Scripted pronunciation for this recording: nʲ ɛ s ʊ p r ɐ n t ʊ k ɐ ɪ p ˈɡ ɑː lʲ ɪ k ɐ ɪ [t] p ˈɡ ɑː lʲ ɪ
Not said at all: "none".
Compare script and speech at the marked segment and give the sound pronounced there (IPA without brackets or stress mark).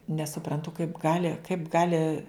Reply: none